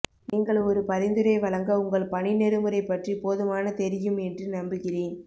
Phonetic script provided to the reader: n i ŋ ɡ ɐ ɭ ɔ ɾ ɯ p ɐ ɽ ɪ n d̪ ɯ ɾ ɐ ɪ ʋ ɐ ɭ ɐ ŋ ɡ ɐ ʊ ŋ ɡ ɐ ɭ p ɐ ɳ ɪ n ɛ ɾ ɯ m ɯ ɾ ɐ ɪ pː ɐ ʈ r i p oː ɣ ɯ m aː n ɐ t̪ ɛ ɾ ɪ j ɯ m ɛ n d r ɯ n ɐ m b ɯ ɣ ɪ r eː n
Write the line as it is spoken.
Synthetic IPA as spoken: n iː ŋ ɡ ɐ ɭ ɔ ɾ ɯ p ɐ ɾ ɪ n d̪ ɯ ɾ ɐ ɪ ʋ ɐ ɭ ɐ ŋ ɡ ɐ ʊ ŋ ɡ ɐ ɭ p ɐ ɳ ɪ n ɛ ɾ ɯ m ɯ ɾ ɐ ɪ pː ɐ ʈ r i p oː ð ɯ m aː n ɐ t̪ ɛ ɾ ɪ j ɯ m ɛ n d r ɯ n ɐ m b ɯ ɣ ɪ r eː n